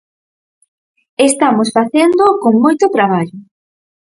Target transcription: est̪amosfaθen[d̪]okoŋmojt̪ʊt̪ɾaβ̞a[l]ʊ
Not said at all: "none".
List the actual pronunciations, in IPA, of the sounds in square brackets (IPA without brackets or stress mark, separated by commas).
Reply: d̪, ʎ